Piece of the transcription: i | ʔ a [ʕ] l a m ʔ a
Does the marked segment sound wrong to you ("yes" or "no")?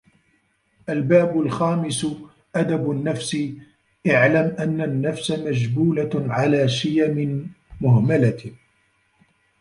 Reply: no